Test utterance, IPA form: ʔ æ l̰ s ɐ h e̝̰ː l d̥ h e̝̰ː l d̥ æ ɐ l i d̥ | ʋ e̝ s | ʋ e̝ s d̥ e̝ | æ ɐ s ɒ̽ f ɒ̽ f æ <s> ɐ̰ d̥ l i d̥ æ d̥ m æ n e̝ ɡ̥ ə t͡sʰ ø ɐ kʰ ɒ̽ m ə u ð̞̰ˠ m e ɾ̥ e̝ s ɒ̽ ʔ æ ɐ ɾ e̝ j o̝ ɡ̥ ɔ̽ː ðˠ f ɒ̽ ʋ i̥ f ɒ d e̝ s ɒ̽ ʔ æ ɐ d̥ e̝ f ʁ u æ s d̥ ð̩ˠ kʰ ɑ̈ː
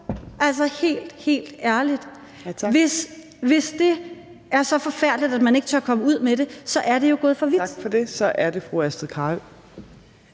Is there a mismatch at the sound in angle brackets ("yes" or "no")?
yes